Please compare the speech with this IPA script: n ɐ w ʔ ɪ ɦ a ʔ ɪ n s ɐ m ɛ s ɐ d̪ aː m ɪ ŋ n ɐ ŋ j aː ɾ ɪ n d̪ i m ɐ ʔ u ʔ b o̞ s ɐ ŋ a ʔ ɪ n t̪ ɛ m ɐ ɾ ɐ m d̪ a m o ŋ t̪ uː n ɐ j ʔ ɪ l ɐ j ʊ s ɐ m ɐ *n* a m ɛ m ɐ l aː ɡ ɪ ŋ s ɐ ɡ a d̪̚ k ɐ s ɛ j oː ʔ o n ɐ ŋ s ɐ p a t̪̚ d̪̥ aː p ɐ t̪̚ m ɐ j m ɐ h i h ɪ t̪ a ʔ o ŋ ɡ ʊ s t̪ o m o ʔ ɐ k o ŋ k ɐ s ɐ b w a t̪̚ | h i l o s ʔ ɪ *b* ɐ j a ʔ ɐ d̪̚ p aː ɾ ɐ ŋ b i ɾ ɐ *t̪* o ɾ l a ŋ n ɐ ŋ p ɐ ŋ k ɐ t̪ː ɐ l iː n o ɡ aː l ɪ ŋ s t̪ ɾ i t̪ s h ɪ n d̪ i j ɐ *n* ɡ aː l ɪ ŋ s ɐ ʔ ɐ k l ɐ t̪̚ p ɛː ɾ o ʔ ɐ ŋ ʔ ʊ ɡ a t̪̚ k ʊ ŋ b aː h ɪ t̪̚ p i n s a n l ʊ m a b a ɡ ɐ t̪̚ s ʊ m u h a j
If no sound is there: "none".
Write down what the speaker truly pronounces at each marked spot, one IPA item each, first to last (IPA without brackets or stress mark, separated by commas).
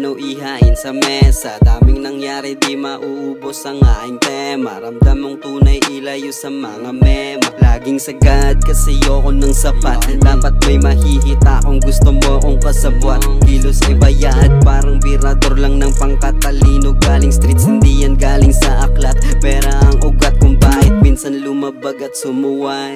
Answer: ŋ, b, d̪, n